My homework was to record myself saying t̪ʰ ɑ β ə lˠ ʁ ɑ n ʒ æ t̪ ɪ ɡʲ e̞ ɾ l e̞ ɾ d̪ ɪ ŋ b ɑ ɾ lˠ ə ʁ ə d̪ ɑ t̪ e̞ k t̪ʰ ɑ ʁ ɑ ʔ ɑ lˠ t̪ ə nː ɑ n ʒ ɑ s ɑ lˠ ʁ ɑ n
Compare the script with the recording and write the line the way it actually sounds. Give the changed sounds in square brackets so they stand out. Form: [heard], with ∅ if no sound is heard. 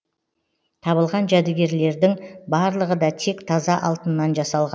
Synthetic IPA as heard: t̪ʰ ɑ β ə lˠ ʁ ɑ n ʒ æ [d̪] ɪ ɡʲ e̞ ɾ l e̞ ɾ d̪ ɪ ŋ b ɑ ɾ lˠ ə ʁ ə d̪ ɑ [t̪ʰ] e̞ k t̪ʰ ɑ [z] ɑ ʔ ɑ lˠ t̪ ə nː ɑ n ʒ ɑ s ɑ lˠ ʁ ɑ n